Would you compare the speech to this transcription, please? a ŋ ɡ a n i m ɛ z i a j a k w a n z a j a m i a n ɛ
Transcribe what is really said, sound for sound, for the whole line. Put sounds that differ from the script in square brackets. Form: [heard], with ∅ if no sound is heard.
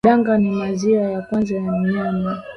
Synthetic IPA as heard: a ŋ ɡ a n i m [a] z i a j a k w a n z a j a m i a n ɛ